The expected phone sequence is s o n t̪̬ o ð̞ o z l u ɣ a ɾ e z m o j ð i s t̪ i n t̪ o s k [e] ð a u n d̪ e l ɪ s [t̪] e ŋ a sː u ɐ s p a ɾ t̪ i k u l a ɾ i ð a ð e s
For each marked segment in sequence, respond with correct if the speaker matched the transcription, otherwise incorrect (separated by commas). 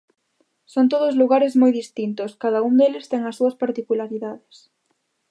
incorrect, correct